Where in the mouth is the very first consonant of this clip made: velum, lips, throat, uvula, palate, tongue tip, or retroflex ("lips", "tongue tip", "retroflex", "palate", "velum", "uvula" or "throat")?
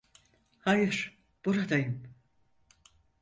throat